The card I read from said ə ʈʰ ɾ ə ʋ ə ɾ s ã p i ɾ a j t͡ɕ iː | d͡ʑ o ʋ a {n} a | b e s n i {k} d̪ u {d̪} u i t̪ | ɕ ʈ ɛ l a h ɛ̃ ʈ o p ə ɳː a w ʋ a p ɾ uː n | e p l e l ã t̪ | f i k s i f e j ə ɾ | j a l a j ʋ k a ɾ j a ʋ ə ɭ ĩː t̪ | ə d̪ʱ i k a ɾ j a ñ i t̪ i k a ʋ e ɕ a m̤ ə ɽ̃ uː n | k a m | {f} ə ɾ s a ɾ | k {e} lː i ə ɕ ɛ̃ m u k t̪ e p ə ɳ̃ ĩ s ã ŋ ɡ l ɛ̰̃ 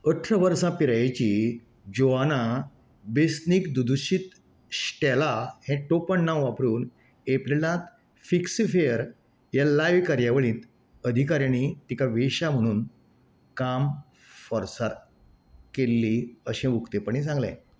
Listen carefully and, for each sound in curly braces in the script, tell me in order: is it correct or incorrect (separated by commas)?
correct, correct, correct, correct, correct